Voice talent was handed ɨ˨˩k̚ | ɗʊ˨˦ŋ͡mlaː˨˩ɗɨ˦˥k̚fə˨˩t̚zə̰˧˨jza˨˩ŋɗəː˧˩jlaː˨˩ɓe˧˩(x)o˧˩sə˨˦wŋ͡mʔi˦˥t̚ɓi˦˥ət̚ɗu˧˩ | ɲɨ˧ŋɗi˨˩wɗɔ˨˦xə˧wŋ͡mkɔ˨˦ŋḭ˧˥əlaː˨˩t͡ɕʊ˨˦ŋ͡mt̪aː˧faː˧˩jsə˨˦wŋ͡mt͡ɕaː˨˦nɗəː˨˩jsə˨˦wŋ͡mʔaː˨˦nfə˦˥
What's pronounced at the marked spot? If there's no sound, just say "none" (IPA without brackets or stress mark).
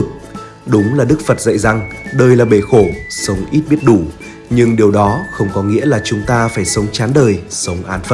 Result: x